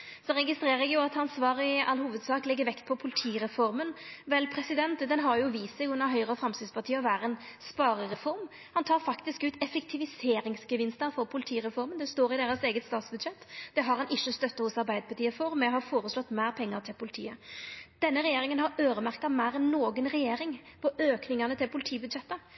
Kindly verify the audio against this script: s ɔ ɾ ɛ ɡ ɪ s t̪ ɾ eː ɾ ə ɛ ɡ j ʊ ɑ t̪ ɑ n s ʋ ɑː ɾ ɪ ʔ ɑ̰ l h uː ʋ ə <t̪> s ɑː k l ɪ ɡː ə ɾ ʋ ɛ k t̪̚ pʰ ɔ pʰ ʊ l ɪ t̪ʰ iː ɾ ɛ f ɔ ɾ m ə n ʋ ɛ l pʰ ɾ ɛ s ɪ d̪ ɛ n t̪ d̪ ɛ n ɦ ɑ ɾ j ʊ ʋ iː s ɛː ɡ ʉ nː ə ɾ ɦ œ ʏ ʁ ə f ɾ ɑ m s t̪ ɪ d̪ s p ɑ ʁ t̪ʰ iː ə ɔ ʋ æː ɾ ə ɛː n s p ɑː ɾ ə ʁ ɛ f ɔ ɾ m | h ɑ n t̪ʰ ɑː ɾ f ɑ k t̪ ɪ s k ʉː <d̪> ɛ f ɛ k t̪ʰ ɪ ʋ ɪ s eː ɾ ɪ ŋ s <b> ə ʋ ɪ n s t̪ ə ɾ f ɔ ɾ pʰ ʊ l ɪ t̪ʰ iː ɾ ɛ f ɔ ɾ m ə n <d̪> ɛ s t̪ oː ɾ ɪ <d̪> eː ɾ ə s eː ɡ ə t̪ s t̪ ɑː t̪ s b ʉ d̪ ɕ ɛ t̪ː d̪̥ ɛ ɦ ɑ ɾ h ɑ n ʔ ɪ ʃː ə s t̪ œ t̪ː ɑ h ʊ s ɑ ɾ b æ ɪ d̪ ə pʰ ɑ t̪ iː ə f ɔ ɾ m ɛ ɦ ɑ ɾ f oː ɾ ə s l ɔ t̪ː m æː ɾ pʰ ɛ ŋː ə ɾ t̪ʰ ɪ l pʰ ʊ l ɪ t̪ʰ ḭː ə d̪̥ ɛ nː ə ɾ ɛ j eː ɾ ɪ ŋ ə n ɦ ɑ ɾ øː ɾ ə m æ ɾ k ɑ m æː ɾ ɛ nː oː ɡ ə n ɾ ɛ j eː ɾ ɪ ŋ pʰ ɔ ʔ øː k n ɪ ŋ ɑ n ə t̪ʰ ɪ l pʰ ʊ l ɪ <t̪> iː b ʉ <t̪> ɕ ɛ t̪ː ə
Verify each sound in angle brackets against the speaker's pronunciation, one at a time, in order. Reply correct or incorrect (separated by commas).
incorrect, incorrect, incorrect, correct, correct, incorrect, incorrect